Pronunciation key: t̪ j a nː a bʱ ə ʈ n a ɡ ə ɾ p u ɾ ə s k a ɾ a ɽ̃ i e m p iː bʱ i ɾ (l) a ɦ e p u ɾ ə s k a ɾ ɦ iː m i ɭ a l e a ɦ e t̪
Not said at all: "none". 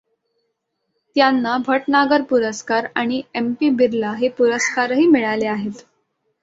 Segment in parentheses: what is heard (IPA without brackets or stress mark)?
l